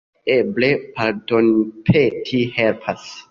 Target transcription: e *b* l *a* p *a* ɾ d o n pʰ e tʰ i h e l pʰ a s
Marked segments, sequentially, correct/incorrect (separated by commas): correct, incorrect, correct